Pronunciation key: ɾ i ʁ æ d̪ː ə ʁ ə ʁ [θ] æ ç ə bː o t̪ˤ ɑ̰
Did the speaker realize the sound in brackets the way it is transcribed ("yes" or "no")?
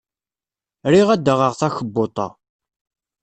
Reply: yes